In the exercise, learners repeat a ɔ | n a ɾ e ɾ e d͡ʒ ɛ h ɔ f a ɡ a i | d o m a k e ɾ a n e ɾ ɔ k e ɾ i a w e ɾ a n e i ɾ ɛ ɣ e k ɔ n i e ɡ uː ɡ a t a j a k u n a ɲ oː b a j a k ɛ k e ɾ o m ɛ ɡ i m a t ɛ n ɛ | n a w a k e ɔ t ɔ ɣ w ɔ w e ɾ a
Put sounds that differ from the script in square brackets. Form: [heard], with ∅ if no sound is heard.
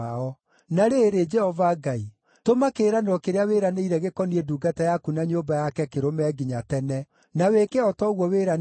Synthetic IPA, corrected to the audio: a ɔ | n a ɾ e ɾ e d͡ʒ ɛ h ɔ [v] a ɡ a i | [t] o m a k e ɾ a n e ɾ ɔ k e ɾ [e] a w e ɾ a n e i ɾ ɛ ɣ e k ɔ n i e [d] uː ɡ a t a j a k u n a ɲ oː b a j a k ɛ k e ɾ o m ɛ ɡ i [ɲ] a t ɛ n ɛ | n a w [e] k e ɔ t ɔ ɣ w ɔ w e ɾ a